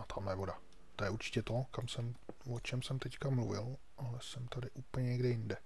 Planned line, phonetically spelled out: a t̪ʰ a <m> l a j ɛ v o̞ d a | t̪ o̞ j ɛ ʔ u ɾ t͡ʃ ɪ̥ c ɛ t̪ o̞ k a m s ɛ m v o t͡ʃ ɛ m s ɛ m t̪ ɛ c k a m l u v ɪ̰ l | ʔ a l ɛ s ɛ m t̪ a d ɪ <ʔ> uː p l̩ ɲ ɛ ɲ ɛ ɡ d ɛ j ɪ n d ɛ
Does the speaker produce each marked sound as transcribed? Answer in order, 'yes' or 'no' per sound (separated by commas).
yes, yes